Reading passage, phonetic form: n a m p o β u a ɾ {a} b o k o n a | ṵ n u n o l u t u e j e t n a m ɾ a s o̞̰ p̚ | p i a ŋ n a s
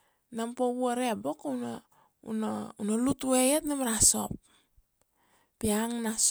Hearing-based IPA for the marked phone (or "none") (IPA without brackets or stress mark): e